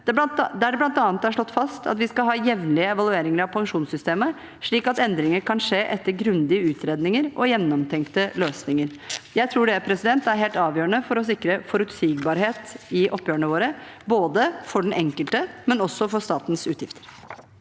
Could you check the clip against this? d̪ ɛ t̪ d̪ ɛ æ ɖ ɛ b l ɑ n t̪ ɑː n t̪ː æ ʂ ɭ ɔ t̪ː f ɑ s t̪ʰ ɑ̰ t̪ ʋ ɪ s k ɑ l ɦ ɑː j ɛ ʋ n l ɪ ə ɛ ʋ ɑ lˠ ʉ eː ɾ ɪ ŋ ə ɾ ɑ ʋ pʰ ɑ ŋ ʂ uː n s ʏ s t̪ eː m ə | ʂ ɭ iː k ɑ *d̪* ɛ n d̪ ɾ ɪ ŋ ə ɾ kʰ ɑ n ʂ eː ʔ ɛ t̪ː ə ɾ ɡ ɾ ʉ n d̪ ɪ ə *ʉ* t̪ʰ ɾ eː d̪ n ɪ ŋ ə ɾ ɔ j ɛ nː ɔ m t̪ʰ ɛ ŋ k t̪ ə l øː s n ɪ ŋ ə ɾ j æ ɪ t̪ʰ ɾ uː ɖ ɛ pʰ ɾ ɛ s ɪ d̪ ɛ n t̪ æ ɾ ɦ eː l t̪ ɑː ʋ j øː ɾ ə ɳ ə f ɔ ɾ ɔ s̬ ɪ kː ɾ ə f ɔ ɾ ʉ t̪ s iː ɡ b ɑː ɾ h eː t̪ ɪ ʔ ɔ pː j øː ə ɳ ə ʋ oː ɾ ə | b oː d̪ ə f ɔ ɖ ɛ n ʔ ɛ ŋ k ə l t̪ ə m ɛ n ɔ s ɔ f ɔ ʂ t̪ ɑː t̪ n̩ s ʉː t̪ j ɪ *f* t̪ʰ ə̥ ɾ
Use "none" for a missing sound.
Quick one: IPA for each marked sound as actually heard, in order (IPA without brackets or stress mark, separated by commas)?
t̪, ʉː, f